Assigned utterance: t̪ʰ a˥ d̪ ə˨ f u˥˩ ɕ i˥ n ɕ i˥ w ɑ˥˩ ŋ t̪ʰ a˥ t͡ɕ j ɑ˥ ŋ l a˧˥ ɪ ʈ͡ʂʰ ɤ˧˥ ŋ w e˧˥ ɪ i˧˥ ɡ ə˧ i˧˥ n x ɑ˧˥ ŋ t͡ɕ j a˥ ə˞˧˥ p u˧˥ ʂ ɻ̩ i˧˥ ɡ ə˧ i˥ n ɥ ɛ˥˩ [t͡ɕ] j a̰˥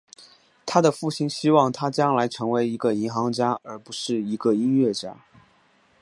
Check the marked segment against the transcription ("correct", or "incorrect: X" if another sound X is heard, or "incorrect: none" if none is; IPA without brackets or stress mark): correct